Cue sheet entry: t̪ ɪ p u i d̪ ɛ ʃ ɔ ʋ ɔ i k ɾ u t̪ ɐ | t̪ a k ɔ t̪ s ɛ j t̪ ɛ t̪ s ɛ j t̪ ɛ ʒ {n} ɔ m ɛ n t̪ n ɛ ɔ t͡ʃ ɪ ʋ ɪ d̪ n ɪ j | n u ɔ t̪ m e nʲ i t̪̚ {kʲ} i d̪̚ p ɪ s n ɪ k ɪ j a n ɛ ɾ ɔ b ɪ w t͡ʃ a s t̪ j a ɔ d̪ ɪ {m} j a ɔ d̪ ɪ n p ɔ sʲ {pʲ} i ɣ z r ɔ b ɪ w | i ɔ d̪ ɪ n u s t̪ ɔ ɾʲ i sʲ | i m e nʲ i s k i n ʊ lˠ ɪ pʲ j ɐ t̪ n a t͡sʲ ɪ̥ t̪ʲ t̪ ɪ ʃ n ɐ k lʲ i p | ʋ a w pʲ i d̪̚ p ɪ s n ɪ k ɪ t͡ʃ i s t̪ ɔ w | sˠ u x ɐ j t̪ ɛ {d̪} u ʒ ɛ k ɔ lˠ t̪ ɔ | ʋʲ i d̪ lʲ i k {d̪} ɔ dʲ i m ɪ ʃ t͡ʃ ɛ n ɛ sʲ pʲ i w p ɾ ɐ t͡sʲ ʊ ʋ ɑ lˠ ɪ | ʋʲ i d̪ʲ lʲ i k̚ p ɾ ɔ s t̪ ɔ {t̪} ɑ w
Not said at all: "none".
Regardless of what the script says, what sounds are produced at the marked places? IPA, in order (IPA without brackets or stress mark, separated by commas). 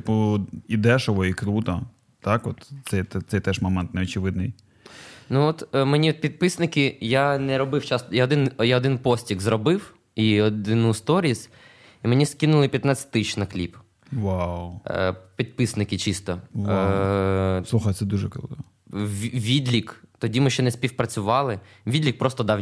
m, pʲ, n, tʲ, d̪, t̪, d̪